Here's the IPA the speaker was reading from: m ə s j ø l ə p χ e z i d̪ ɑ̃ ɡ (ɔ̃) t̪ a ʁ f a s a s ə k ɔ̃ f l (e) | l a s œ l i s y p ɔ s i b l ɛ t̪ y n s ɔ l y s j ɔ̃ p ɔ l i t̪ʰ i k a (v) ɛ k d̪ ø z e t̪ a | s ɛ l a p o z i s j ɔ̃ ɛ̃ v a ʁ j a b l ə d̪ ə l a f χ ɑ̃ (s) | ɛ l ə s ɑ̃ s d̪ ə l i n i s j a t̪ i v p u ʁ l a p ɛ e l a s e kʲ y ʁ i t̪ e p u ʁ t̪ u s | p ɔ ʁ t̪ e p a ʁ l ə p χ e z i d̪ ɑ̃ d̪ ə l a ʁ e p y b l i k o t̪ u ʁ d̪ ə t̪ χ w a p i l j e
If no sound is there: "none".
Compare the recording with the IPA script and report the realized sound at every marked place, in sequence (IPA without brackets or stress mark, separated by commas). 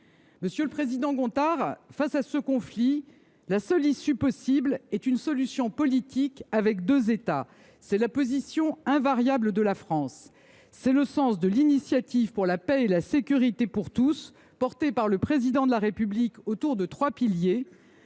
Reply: ɔ̃, i, v, sː